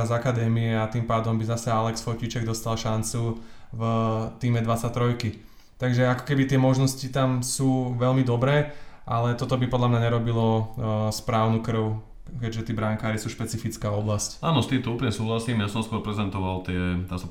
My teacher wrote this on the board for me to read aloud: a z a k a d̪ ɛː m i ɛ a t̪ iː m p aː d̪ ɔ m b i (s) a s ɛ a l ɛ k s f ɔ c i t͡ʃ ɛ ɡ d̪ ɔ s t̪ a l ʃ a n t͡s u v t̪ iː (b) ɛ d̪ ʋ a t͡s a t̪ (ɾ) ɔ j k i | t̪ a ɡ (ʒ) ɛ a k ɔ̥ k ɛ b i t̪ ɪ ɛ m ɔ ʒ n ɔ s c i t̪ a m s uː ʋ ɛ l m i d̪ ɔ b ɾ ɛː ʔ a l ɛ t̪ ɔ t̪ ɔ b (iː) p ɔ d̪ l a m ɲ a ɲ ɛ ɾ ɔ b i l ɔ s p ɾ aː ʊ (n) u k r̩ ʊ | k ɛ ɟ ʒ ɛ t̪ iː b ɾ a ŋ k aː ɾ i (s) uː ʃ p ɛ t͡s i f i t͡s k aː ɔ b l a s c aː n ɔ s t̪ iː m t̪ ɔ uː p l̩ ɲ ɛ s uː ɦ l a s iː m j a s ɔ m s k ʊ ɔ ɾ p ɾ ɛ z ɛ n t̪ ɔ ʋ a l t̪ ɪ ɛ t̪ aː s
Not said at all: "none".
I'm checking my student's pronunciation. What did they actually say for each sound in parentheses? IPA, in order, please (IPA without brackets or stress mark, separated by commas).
z, m, ɾ, ʒ, i, n, s